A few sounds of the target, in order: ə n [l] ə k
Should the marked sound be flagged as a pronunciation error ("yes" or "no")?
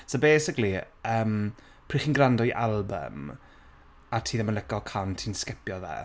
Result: no